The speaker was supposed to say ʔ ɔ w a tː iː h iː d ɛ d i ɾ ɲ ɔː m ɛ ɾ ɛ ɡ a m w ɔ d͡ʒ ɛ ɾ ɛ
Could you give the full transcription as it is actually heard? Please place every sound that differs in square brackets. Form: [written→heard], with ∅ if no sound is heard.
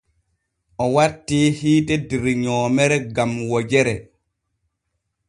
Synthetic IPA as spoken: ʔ ɔ w a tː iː h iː [d→t] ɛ d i ɾ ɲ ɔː m ɛ ɾ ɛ ɡ a m w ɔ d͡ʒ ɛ ɾ ɛ